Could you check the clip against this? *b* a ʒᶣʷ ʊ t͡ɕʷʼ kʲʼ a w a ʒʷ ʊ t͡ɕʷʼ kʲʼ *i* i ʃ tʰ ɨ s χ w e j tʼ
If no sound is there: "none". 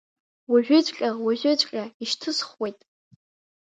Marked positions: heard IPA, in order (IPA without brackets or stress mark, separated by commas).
w, a